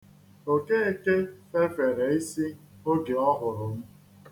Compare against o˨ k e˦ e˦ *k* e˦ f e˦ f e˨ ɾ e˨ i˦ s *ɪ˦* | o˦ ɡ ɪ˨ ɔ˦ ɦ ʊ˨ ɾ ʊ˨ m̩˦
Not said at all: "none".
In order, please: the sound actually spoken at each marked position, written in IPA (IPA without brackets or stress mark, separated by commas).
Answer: k, i˦